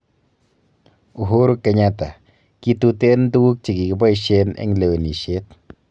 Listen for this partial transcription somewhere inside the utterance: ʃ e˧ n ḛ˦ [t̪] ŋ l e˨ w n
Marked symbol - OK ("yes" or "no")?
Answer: no